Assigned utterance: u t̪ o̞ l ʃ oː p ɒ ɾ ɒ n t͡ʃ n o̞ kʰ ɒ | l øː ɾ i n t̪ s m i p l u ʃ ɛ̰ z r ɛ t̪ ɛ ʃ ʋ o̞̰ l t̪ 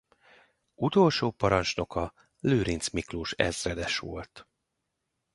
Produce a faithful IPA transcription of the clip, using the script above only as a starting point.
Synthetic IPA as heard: u t̪ o̞ l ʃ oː p ɒ ɾ ɒ n t͡ʃ n o̞ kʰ ɒ | l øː ɾ i n t̪ s m i k l u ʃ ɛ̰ z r ɛ d̪ ɛ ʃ ʋ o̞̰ l t̪